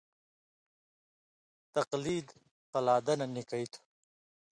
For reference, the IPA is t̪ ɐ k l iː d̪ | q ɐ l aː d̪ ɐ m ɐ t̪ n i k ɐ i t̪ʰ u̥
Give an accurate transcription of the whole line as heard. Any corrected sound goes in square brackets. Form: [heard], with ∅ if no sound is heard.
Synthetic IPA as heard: t̪ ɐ [q] l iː d̪ | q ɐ l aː d̪ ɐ [n] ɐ [∅] n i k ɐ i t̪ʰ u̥